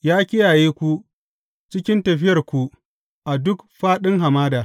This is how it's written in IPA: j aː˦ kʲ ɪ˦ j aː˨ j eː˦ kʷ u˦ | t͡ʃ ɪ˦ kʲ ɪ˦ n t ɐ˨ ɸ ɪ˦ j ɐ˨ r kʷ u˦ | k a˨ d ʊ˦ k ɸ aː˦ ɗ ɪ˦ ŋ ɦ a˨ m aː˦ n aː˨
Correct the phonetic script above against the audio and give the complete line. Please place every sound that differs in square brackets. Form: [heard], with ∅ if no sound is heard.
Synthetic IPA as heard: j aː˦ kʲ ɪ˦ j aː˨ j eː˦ kʷ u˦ | t͡ʃ ɪ˦ kʲ ɪ˦ n t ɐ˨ ɸ ɪ˦ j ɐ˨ r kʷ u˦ | [ʔ] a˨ d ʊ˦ k ɸ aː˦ ɗ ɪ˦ ŋ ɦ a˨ m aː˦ [d] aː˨